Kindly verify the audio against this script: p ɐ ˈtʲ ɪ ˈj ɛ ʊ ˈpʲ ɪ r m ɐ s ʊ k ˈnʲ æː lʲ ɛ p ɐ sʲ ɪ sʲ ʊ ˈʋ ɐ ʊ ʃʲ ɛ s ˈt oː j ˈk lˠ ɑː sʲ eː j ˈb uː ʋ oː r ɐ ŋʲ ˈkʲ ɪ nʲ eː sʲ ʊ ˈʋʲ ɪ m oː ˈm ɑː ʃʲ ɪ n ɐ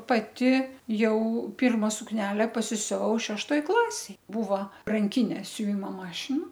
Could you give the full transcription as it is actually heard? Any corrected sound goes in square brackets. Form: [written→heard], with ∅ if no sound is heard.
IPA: p ɐ ˈtʲ ɪ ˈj ɛ ʊ ˈpʲ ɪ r m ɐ s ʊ k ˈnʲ æː lʲ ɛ p ɐ sʲ ɪ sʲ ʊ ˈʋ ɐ ʊ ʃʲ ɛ [s→ʃ] ˈt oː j ˈk lˠ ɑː sʲ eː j ˈb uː ʋ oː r ɐ ŋʲ ˈkʲ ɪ nʲ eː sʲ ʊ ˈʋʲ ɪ m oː ˈm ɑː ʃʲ ɪ n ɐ

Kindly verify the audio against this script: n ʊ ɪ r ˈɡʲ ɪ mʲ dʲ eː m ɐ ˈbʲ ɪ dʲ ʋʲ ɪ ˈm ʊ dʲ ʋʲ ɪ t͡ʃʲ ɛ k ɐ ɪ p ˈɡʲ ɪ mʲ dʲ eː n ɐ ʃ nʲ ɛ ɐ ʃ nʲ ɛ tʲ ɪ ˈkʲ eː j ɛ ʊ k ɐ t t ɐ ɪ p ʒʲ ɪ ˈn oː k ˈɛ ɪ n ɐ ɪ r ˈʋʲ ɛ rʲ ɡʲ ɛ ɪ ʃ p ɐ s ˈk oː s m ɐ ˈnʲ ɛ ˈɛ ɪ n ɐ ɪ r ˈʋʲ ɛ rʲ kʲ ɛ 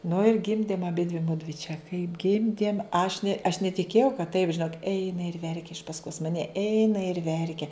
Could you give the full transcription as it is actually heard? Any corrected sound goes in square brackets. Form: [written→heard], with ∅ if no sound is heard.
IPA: n ʊ ɪ r ˈɡʲ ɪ mʲ dʲ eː m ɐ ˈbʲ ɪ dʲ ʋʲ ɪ ˈm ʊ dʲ ʋʲ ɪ t͡ʃʲ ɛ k ɐ ɪ p ˈɡʲ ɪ mʲ dʲ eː [n→m] ɐ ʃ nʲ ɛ ɐ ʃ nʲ ɛ tʲ ɪ ˈkʲ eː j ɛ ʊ k ɐ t t ɐ ɪ p ʒʲ ɪ ˈn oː k ˈɛ ɪ n ɐ ɪ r ˈʋʲ ɛ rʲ [ɡʲ→kʲ] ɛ ɪ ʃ p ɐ s ˈk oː s m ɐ ˈnʲ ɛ ˈɛ ɪ n ɐ ɪ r ˈʋʲ ɛ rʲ kʲ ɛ

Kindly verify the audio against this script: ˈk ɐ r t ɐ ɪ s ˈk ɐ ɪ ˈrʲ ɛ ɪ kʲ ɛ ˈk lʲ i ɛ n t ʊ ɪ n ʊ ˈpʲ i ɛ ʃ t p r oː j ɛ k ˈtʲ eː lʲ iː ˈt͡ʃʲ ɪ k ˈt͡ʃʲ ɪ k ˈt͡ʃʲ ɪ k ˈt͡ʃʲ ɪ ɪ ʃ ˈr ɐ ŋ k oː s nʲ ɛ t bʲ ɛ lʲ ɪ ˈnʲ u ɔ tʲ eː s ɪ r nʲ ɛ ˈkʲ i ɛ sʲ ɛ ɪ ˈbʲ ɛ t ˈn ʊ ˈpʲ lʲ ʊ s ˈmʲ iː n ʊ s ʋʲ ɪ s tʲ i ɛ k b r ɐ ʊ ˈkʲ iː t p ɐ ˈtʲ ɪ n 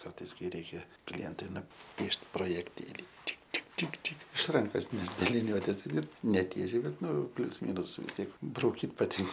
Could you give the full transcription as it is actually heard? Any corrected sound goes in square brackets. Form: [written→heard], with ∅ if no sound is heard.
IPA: ˈk ɐ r t ɐ ɪ s ˈk ɐ ɪ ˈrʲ ɛ ɪ kʲ ɛ ˈk lʲ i ɛ n t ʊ ɪ n ʊ ˈpʲ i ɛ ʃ t p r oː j ɛ k ˈtʲ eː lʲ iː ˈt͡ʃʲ ɪ k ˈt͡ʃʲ ɪ k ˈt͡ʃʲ ɪ k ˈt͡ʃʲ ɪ ɪ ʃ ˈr ɐ ŋ k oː s nʲ ɛ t bʲ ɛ lʲ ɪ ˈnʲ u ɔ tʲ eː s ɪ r nʲ ɛ [ˈkʲ→ˈtʲ] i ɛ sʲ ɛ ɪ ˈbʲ ɛ t ˈn ʊ ˈpʲ lʲ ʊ s ˈmʲ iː n ʊ s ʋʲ ɪ s tʲ i ɛ k b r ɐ ʊ ˈkʲ iː t p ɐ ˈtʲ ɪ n

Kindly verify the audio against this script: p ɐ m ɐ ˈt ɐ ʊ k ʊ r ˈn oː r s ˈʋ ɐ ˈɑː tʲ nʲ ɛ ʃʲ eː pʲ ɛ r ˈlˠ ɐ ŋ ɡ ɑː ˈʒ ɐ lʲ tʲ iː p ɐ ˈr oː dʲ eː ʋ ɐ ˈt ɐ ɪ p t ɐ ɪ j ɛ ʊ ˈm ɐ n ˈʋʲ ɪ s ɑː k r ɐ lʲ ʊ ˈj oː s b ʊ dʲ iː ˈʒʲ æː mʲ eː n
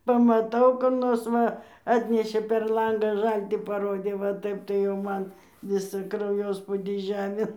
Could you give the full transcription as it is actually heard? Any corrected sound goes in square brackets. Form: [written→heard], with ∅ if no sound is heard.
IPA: p ɐ m ɐ ˈt ɐ ʊ k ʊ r ˈn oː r s ˈʋ ɐ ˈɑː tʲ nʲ ɛ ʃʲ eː pʲ ɛ r ˈlˠ ɐ ŋ ɡ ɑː ˈʒ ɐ lʲ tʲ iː p ɐ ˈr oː dʲ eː ʋ ɐ ˈt ɐ ɪ p t ɐ ɪ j ɛ ʊ ˈm ɐ n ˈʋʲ ɪ s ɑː k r ɐ [lʲ→∅] ʊ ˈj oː s [b→p] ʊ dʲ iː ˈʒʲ æː mʲ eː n

